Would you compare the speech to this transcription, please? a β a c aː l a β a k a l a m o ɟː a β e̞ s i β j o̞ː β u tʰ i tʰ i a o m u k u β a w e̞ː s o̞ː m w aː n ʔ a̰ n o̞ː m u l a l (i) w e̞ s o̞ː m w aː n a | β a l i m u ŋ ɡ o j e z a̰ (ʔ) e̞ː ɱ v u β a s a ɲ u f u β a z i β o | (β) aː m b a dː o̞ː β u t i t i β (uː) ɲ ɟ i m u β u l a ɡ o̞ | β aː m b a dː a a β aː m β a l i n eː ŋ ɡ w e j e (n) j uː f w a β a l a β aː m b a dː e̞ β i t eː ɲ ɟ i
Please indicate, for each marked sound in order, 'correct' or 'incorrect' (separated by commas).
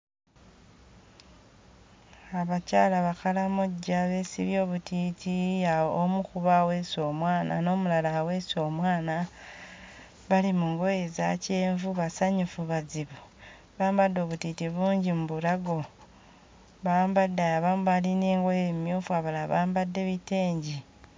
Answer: incorrect, incorrect, correct, correct, incorrect